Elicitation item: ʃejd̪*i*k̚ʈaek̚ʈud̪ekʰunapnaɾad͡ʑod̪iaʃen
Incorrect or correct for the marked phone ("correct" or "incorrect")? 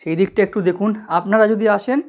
correct